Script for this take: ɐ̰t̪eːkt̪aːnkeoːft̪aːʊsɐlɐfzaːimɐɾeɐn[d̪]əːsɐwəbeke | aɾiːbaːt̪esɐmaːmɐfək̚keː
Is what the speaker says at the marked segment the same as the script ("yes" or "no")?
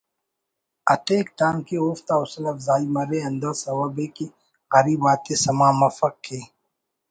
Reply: yes